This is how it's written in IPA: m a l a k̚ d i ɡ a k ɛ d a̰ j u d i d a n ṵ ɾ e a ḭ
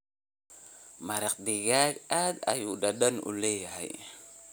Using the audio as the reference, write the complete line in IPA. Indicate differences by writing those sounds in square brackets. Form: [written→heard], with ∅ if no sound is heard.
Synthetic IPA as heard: m a [l→ɾ] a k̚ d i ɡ a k [ɛ→a] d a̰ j u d [i→a] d a n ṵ [ɾ→l] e a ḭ

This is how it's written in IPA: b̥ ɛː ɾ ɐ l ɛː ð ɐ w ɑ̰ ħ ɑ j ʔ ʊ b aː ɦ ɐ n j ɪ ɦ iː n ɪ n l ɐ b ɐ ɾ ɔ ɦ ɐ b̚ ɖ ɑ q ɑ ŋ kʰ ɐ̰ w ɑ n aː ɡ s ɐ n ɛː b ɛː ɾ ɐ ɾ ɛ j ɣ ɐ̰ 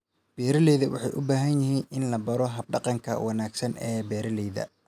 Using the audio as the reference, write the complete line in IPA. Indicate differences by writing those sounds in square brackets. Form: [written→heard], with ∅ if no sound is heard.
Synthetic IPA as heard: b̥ ɛː ɾ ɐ l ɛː ð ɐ w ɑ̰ ħ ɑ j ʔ ʊ b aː ɦ ɐ n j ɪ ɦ iː n ɪ n l ɐ b ɐ ɾ ɔ ɦ ɐ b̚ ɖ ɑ q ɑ ŋ kʰ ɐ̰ w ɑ n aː ɡ s ɐ n ɛː b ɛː ɾ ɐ [ɾ→l] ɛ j [ɣ→ð] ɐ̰

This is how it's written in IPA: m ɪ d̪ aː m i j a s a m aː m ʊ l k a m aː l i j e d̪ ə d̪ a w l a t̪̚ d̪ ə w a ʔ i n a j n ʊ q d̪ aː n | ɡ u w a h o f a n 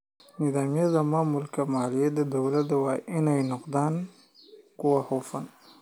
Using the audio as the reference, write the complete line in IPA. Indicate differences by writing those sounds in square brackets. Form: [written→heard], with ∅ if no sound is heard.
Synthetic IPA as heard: [m→n] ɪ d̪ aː m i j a [s→z] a m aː m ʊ l k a m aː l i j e d̪ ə d̪ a w l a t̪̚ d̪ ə w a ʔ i n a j n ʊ q d̪ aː n | [ɡ→k] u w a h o f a n

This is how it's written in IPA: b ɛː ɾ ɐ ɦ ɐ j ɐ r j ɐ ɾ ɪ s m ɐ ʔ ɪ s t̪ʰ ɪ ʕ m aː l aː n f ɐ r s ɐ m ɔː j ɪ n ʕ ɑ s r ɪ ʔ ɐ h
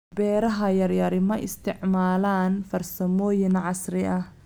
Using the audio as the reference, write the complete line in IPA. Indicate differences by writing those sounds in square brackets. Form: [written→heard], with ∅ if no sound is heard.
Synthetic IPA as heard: b ɛː ɾ ɐ ɦ ɐ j ɐ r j ɐ ɾ ɪ [s→∅] m ɐ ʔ ɪ s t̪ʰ ɪ ʕ m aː l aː n f ɐ r s ɐ m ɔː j ɪ n ʕ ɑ s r ɪ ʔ ɐ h

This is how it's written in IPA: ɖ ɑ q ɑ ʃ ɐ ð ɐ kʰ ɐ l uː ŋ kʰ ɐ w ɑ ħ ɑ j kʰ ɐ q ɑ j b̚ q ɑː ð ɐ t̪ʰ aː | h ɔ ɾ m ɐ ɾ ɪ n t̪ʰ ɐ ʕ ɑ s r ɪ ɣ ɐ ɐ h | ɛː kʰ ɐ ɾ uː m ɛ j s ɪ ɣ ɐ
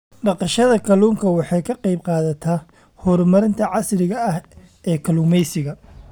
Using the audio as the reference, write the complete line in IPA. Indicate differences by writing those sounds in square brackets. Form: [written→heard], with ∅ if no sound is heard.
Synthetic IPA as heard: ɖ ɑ q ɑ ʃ ɐ ð ɐ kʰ ɐ l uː ŋ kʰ ɐ w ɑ ħ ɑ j kʰ ɐ q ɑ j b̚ q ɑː ð ɐ t̪ʰ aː | h ɔ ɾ m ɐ ɾ ɪ n t̪ʰ ɐ ʕ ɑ s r ɪ ɣ ɐ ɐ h | ɛː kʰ ɐ [ɾ→l] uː m ɛ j s ɪ ɣ ɐ

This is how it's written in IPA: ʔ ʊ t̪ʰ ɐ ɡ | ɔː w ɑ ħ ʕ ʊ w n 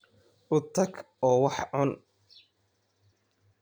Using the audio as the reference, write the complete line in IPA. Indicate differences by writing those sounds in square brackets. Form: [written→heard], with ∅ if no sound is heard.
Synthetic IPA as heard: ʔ ʊ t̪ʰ ɐ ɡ | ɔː w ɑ ħ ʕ ʊ [w→∅] n

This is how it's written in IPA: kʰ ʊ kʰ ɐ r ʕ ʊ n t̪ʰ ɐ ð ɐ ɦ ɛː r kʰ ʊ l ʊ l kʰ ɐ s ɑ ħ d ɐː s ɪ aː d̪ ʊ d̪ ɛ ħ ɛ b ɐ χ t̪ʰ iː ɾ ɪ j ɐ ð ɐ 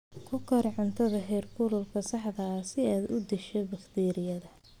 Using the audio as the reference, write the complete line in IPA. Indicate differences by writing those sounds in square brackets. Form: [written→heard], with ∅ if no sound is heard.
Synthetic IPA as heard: kʰ ʊ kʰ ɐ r ʕ ʊ n t̪ʰ ɐ ð ɐ ɦ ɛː r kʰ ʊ l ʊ l kʰ ɐ s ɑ ħ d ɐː s ɪ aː d̪ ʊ d̪ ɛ [ħ→ʃ] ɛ b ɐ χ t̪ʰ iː ɾ ɪ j ɐ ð ɐ

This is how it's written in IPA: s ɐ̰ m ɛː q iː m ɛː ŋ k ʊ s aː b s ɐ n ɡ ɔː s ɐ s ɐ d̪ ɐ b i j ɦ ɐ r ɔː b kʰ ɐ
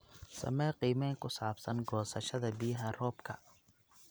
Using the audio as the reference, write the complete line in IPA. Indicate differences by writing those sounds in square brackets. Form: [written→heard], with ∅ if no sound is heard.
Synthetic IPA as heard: s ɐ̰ m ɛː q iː m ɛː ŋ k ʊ s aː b s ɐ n ɡ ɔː s ɐ [s→ʃ] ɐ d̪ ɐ b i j ɦ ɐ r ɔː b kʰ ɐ

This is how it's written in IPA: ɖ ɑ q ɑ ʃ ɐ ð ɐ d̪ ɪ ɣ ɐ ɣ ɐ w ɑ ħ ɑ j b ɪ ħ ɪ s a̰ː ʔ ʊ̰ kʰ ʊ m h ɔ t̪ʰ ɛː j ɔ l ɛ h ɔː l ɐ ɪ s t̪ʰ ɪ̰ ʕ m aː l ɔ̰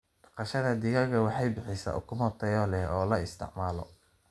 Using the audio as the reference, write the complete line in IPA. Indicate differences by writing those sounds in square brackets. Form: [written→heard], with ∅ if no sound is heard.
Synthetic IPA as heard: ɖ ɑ q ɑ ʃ ɐ ð ɐ d̪ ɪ ɣ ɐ ɣ ɐ w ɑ ħ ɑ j b ɪ ħ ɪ s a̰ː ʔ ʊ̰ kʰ ʊ m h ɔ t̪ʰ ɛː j ɔ l ɛ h ɔː l ɐ ɪ s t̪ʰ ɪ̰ ʕ m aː l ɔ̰

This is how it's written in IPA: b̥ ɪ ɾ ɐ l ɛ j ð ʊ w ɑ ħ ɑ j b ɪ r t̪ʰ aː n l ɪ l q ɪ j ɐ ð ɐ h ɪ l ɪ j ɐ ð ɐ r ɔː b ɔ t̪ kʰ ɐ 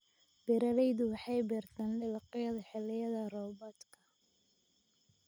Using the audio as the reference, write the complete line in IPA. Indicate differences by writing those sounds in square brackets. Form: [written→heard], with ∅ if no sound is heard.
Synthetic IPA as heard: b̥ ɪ ɾ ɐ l ɛ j ð ʊ w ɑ ħ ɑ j b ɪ r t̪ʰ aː n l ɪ l q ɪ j ɐ ð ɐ [h→ħ] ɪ l ɪ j ɐ ð ɐ r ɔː b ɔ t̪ kʰ ɐ

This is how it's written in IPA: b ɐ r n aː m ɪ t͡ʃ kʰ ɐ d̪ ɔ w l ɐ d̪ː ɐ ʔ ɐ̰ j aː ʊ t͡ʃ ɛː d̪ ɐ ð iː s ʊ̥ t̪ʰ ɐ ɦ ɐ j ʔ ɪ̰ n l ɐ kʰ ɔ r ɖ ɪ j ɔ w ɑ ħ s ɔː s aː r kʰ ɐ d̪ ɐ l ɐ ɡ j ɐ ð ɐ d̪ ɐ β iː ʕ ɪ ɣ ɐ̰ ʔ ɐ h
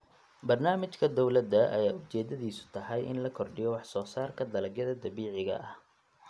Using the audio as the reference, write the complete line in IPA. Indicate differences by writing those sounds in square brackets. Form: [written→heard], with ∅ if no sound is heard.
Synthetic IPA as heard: b ɐ r n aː m ɪ t͡ʃ kʰ ɐ d̪ ɔ w l ɐ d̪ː ɐ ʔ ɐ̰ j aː ʊ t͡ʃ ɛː d̪ ɐ ð iː s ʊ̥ t̪ʰ ɐ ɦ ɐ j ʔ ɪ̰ n l ɐ kʰ ɔ r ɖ ɪ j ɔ w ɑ ħ s ɔː s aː r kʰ ɐ d̪ ɐ l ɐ ɡ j ɐ ð ɐ d̪ ɐ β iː ʕ ɪ ɣ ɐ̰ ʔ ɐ h

